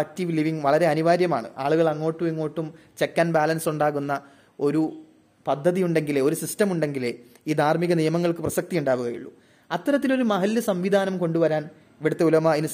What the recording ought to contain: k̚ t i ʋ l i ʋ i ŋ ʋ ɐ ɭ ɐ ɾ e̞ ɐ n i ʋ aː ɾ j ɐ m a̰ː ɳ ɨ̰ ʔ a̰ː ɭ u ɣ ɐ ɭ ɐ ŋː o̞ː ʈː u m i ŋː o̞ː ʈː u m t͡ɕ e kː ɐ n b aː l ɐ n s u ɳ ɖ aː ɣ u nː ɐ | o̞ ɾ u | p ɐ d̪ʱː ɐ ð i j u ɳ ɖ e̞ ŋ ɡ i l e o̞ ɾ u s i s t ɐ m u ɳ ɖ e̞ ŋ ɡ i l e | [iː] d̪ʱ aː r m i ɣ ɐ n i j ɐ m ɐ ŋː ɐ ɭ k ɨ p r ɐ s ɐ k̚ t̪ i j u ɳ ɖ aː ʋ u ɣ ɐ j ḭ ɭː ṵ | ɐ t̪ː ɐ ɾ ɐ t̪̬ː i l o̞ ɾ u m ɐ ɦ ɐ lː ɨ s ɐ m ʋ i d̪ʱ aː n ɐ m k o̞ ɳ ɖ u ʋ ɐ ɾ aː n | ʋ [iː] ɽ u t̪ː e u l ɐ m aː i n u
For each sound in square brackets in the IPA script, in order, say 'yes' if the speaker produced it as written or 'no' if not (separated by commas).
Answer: yes, no